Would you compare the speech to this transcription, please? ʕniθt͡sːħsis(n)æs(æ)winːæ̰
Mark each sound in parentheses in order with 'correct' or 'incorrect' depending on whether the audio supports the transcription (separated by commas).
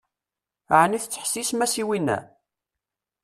incorrect, incorrect